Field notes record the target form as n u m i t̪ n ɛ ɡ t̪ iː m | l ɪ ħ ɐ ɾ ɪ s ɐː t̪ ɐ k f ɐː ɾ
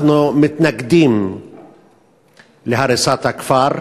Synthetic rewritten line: n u m ɪ t̪ n ɛ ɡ d̪ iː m | l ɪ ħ ɐ ɾ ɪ s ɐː t̪ ɐ k f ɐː ɾ